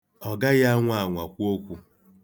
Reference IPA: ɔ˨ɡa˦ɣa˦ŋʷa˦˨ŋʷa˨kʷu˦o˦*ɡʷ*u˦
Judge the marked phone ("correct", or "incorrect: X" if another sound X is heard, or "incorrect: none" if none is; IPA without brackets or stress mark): incorrect: kʷ